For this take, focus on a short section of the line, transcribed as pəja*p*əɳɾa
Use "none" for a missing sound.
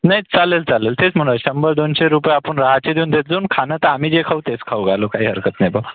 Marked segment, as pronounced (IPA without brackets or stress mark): p